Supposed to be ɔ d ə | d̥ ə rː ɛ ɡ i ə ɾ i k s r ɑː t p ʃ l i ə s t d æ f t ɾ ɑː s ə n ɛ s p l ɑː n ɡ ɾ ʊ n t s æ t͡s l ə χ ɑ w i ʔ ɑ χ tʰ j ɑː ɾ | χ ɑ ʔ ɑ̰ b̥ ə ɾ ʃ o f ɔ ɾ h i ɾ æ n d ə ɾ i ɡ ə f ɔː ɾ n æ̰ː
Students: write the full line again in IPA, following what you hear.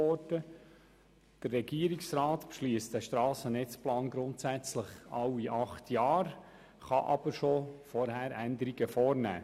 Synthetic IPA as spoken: ɔ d ə | d̥ ə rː ɛ ɡ i ə ɾ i k s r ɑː t p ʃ l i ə s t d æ ʃ t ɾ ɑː s ə n ɛ t͡s p l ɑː n ɡ ɾ ʊ n t s æ t͡s l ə χ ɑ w i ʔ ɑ χ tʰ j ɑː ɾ | χ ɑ ʔ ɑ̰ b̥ ə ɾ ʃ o f ɔ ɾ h æ ɾ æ n d ə ɾ i ɡ ə f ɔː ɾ n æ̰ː